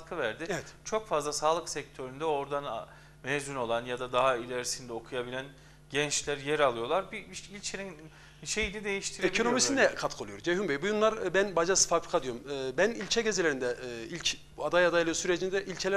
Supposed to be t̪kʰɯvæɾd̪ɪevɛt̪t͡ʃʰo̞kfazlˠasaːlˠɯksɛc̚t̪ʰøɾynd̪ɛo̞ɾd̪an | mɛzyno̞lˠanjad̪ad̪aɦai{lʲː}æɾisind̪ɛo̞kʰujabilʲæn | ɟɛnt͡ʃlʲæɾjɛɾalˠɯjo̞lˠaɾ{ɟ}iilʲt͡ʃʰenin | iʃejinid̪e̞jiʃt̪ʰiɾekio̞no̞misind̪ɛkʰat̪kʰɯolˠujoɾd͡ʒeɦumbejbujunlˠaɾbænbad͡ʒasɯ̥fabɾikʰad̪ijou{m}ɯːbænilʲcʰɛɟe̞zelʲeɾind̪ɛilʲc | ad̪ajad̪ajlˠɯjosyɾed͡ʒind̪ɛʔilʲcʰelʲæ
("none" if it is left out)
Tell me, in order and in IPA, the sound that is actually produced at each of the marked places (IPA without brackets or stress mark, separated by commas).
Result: lʲ, b, m